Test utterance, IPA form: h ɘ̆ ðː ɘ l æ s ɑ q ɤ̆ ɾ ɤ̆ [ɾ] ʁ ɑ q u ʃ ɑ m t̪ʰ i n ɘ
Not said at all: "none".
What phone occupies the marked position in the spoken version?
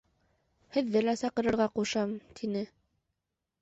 ɾ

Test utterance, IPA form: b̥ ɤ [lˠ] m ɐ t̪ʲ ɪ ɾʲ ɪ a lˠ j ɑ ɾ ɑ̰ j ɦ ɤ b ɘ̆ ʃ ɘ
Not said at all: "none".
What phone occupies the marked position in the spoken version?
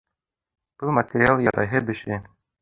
lˠ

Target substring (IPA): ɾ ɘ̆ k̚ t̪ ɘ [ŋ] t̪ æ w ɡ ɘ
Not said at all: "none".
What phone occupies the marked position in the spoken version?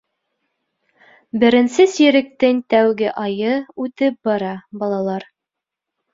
ŋ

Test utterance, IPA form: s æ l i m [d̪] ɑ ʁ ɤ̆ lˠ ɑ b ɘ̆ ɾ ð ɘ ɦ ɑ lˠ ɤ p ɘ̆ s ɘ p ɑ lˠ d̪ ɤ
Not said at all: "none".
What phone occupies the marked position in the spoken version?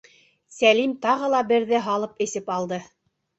t̪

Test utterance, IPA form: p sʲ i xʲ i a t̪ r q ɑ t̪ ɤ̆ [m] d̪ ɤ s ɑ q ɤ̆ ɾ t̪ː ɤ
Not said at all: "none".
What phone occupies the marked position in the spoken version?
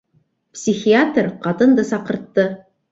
n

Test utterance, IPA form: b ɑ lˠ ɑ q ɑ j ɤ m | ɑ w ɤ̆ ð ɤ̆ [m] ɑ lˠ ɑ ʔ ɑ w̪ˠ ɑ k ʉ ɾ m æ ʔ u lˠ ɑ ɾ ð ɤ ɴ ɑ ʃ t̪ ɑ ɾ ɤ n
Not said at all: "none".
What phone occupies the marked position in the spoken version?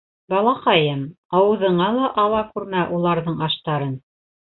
ɴ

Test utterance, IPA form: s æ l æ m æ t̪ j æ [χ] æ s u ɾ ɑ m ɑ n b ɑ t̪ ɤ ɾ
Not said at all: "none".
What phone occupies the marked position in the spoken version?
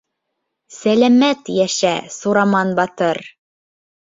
ʃ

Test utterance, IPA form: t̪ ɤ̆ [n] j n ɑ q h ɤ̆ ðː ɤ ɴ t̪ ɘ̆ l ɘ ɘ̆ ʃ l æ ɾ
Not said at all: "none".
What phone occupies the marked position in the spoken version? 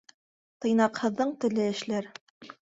none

